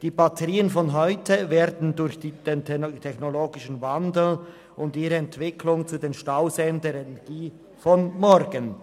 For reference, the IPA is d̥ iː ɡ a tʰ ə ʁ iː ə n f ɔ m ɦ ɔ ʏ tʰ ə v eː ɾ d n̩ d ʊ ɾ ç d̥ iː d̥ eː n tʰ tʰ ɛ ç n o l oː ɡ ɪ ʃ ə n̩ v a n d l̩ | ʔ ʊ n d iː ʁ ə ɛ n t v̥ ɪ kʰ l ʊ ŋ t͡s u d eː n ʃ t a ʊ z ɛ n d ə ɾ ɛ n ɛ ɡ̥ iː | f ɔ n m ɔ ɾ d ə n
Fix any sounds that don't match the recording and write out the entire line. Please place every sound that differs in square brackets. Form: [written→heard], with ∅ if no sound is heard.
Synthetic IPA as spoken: d̥ iː [ɡ→b] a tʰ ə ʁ iː ə n f ɔ [m→n] ɦ ɔ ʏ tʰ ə v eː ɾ d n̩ d ʊ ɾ ç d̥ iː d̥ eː n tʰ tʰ ɛ ç n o l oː ɡ ɪ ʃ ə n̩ v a n d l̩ | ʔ ʊ n d iː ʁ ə ɛ n t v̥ ɪ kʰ l ʊ ŋ t͡s u d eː n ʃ t a ʊ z ɛ n d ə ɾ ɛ n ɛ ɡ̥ iː | f ɔ n m ɔ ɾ [d→ɡ] ə n